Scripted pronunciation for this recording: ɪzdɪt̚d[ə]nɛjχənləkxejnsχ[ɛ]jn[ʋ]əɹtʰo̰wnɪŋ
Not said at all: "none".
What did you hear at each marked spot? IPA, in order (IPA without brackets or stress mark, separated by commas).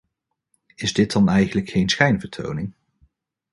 ɑ, ɛ, v